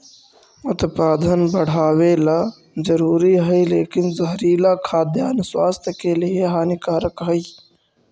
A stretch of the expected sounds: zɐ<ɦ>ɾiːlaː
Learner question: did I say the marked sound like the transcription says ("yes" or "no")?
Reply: yes